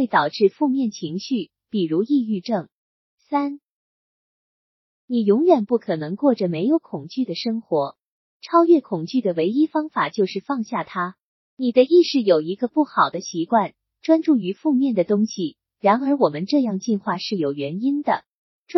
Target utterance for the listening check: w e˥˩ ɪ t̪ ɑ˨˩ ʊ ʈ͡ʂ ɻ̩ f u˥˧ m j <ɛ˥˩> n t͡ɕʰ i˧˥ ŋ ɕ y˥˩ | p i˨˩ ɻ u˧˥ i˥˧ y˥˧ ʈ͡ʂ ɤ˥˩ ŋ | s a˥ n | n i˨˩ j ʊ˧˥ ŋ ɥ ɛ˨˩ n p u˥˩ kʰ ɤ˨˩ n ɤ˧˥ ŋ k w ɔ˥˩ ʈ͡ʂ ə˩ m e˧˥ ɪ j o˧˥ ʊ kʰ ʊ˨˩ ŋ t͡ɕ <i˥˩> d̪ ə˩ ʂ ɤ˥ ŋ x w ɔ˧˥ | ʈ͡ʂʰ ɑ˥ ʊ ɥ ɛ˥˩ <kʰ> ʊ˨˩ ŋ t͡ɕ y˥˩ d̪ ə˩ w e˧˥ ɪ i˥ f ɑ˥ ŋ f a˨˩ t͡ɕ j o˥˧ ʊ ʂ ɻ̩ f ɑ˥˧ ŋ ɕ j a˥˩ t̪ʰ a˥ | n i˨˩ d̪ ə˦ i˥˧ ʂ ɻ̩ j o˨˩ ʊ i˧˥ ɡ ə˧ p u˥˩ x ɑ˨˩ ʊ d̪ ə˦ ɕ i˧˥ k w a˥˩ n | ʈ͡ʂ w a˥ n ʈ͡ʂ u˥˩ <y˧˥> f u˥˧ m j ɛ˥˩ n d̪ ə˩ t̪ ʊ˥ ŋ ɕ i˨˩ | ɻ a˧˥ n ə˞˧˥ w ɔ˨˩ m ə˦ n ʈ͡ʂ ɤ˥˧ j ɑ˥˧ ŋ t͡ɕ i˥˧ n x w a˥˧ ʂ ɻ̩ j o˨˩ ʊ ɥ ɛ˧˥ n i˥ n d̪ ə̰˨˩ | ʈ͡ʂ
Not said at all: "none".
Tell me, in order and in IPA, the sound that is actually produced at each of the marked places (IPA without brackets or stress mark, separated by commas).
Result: ɛ˥˩, y˥˩, kʰ, y˧˥